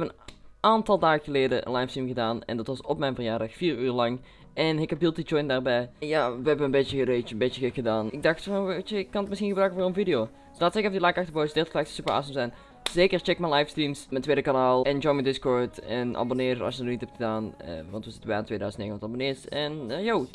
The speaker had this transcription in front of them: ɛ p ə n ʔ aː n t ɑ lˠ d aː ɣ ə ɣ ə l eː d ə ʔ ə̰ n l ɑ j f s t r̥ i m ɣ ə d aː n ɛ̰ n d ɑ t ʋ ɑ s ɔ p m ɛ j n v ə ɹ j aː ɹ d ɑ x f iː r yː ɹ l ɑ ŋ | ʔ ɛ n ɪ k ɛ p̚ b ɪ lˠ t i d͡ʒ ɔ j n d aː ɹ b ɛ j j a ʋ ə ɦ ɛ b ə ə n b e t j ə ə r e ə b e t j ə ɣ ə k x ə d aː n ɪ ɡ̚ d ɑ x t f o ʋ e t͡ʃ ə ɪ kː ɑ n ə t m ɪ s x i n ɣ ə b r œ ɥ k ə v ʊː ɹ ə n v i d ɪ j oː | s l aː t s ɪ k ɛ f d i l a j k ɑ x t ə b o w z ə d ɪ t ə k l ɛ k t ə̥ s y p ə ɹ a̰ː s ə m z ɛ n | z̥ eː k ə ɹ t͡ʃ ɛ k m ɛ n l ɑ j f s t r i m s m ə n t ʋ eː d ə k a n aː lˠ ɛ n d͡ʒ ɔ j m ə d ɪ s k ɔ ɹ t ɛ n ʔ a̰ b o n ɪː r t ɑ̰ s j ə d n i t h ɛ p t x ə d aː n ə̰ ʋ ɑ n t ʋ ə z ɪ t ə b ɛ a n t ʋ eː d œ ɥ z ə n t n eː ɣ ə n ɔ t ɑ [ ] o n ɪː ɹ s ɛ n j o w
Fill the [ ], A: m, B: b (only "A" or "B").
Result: B